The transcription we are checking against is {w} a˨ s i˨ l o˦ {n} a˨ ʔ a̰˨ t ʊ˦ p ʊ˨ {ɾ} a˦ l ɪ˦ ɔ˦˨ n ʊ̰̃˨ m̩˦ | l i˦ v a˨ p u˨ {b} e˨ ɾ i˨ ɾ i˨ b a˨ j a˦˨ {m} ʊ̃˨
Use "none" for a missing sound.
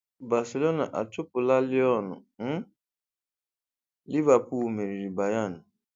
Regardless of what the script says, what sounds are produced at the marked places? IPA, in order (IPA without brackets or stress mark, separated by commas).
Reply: b, n, l, m, n